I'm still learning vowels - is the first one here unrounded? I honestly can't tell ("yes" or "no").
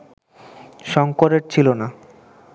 no